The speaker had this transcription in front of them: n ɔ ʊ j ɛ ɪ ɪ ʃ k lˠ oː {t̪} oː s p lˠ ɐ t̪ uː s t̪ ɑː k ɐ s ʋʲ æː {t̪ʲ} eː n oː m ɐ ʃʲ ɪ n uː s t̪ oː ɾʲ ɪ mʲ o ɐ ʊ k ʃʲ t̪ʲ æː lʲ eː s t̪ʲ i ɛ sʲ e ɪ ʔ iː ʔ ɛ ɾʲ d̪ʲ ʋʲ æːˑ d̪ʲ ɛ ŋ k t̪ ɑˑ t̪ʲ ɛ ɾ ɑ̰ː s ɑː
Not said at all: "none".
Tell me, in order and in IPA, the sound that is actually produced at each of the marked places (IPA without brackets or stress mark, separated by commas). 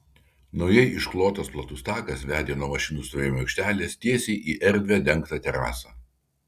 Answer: t̪, d̪ʲ